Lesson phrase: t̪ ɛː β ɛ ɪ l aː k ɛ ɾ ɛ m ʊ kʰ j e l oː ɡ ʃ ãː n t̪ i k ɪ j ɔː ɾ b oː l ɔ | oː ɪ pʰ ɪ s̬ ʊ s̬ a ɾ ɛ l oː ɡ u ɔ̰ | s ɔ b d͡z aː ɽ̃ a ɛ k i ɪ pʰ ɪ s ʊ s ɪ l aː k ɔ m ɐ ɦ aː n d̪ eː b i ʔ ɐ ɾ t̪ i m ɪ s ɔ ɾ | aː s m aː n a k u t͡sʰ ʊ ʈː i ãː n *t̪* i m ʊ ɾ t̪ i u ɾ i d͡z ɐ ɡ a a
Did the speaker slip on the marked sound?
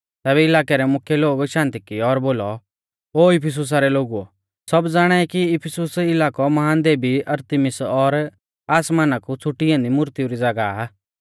yes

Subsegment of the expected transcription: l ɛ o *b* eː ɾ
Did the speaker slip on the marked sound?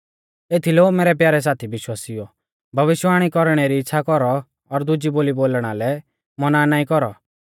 yes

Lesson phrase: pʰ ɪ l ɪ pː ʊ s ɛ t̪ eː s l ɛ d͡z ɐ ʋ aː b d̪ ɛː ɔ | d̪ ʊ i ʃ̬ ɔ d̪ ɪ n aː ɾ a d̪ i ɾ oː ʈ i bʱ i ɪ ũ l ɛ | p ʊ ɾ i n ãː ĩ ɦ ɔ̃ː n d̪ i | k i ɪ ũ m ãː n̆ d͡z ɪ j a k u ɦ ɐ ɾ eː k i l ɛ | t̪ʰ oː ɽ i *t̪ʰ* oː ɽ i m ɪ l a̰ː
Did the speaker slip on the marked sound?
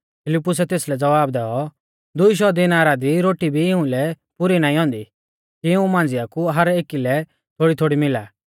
no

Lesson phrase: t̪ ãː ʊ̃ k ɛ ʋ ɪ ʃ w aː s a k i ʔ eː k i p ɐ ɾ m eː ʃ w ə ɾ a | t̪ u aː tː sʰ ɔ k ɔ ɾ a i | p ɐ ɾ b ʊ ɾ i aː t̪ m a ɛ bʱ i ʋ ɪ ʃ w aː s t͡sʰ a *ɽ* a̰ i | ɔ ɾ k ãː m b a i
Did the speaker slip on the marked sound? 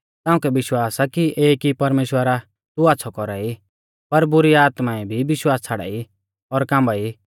no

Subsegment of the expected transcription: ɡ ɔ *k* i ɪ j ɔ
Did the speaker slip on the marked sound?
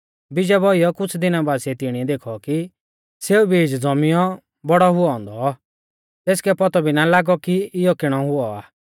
no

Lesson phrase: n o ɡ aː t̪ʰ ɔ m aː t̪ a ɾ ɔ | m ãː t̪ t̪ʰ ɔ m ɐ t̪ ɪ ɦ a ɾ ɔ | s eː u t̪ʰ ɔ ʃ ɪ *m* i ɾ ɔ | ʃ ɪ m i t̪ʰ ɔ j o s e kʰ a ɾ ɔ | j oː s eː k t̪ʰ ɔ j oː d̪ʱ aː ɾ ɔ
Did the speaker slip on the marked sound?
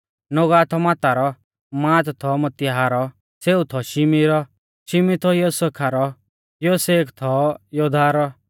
no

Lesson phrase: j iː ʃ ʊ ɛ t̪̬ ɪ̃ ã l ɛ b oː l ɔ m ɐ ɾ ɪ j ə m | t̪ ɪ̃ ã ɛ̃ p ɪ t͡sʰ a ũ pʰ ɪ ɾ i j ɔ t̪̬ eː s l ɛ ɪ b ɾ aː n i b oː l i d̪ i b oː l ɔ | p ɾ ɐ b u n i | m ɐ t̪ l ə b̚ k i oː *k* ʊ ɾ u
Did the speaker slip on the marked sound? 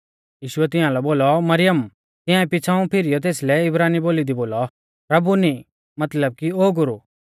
yes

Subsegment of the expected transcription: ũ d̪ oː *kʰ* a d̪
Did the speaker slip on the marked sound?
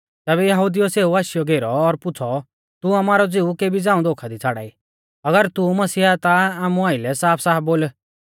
no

